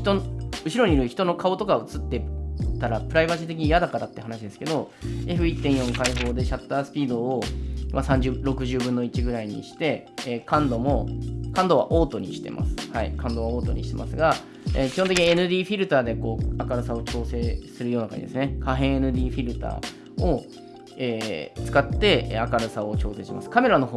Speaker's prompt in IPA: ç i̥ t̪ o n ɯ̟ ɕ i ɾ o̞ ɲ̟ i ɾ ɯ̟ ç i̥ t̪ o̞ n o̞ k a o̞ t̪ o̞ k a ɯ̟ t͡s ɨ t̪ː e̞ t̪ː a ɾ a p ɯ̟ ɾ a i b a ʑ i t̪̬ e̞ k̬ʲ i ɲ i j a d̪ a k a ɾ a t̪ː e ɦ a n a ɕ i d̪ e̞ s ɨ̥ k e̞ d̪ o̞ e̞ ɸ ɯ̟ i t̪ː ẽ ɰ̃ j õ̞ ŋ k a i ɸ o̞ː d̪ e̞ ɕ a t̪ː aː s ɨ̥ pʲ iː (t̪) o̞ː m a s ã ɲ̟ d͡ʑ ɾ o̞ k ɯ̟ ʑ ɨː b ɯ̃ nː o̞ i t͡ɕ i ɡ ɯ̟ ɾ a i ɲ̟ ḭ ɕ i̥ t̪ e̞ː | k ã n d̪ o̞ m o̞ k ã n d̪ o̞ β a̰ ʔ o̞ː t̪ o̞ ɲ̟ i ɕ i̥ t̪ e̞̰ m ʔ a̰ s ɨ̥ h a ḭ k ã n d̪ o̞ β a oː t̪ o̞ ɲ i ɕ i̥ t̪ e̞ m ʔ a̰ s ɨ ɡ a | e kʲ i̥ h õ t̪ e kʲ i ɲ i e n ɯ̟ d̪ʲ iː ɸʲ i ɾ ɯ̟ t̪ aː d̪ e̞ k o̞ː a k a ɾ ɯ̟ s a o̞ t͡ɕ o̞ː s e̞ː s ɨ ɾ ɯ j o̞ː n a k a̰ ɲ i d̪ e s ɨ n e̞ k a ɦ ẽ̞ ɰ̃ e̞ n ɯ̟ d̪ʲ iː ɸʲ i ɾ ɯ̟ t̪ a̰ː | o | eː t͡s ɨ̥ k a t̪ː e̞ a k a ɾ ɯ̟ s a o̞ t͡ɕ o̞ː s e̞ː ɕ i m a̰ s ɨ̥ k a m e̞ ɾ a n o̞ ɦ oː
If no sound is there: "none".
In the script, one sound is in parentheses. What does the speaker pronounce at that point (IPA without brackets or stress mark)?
d̪